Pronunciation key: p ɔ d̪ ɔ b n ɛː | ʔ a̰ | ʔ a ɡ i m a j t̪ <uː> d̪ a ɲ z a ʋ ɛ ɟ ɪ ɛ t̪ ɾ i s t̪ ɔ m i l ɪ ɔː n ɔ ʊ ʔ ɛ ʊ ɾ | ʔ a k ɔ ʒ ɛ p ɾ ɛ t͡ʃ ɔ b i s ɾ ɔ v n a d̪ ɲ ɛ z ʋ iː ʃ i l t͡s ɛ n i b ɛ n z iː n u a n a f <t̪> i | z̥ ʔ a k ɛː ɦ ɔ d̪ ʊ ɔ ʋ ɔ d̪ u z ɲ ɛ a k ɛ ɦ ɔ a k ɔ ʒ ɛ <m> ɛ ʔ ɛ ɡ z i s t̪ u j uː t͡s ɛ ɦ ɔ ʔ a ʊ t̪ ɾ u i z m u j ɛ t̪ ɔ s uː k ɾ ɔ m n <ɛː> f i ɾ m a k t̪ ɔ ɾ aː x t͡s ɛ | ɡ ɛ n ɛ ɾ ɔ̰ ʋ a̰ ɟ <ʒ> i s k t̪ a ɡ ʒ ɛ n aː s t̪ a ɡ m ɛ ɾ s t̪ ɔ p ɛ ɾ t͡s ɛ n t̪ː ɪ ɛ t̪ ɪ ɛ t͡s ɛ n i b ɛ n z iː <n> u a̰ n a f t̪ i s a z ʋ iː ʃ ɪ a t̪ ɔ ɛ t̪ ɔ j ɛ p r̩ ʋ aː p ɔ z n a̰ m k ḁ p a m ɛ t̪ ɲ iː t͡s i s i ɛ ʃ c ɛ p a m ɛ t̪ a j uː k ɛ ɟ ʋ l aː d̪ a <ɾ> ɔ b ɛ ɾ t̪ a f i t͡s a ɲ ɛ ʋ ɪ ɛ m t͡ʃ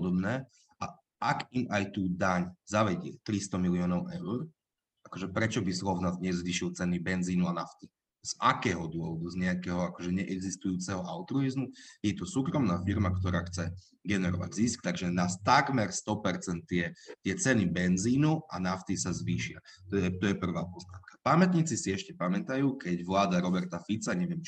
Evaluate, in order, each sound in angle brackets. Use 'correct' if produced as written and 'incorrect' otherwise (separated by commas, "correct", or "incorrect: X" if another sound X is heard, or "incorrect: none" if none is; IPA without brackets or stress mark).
correct, correct, incorrect: ɲ, incorrect: aː, incorrect: z, correct, correct